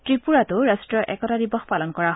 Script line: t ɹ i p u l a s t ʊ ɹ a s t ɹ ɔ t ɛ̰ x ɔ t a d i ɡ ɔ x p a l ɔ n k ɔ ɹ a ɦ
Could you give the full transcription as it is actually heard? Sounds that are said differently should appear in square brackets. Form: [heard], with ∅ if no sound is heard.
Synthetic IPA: t ɹ i p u [ɹ] a [∅] t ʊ ɹ a s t ɹ ɔ [ʔ] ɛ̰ [k] ɔ t a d i [b] ɔ x p a l ɔ n k ɔ ɹ a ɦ